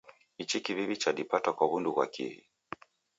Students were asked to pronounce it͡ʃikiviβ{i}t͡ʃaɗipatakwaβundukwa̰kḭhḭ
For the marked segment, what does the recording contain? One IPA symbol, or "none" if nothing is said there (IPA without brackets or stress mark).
i